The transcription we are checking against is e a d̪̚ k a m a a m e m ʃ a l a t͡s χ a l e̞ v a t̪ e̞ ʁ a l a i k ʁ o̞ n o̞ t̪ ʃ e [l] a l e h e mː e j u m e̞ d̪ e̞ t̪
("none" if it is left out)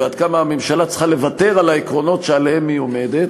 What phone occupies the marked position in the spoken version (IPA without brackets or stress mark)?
none